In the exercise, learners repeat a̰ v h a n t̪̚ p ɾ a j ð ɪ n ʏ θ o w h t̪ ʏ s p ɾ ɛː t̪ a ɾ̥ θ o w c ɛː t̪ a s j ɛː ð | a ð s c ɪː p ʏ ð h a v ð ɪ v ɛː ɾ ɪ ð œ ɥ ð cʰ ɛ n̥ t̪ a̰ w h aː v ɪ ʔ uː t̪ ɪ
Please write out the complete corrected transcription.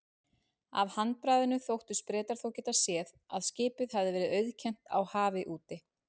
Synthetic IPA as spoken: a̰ v h a n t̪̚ p ɾ a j ð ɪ n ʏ θ o w h t̪ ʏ s p ɾ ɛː t̪ a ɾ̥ θ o w c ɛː t̪ a s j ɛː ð | a ð s c ɪː p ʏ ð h a v ð ɪ v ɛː ɾ ɪ ð œ ɥ ð cʰ ɛ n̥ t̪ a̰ w h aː v ɪ ʔ uː t̪ ɪ